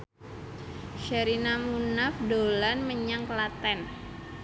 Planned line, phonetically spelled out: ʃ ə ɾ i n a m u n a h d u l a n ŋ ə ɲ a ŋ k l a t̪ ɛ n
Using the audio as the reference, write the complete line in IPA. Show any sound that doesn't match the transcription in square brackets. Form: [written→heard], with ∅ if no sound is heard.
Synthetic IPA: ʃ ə ɾ i n a m u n a [h→f] d [u→o] l a n [ŋ→m] ə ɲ a ŋ k l a t̪ ɛ n